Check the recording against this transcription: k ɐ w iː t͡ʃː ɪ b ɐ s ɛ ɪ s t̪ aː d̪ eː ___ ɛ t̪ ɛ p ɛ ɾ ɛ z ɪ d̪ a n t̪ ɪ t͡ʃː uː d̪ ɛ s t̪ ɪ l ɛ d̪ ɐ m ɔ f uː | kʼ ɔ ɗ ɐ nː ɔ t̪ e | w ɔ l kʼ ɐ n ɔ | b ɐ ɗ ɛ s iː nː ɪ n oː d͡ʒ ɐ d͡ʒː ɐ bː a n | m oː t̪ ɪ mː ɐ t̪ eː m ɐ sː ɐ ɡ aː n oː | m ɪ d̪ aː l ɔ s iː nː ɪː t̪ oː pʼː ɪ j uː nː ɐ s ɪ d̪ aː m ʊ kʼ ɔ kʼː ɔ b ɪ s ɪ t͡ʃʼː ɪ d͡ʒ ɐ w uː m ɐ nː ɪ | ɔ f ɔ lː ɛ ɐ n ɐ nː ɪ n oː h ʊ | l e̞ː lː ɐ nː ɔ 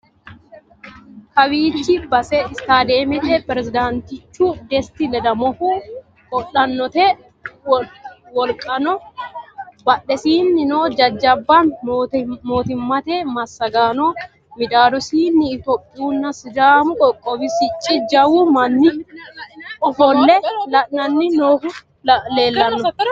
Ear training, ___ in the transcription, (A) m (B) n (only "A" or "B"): A